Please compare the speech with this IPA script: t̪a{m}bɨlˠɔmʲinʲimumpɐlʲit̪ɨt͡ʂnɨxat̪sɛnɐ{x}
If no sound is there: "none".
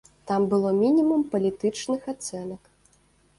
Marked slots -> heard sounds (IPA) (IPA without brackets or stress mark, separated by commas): m, k